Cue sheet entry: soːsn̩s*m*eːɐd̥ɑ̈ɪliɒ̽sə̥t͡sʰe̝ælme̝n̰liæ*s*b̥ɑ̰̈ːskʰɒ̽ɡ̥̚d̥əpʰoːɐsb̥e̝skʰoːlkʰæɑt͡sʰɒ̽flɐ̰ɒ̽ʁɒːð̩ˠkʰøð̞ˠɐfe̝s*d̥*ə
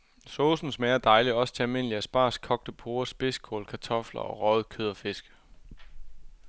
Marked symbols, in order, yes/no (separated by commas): yes, yes, no